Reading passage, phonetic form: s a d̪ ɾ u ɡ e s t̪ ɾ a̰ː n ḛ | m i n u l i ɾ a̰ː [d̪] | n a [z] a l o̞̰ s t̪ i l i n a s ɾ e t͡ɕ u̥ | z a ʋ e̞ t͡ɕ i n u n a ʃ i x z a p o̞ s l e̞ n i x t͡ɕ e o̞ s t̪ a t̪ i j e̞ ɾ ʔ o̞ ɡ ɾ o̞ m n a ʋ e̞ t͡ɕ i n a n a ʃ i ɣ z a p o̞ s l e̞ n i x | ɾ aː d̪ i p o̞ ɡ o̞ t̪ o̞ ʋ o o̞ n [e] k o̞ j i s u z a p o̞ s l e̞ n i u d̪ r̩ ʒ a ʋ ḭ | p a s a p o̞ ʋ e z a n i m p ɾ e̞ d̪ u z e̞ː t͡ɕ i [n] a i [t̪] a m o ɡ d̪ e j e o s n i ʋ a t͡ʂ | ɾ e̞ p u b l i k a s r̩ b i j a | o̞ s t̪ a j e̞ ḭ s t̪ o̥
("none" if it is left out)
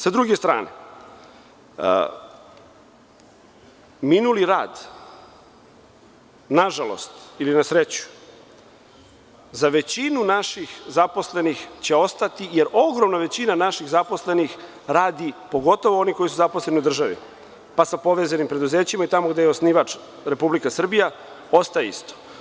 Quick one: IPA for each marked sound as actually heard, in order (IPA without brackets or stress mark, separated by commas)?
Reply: d̪, ʒ, i, m, t̪